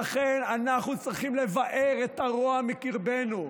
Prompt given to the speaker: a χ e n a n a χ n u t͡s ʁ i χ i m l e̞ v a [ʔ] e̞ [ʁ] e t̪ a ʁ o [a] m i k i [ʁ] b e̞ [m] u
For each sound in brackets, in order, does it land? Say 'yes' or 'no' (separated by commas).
yes, yes, yes, yes, no